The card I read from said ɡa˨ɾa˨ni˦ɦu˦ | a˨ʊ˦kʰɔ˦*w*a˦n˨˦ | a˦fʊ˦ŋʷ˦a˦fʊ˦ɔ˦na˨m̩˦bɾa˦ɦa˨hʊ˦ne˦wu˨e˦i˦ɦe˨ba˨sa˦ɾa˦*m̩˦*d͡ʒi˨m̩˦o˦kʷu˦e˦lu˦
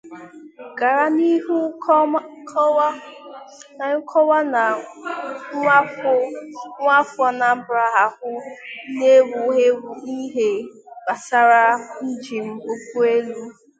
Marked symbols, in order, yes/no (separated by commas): yes, no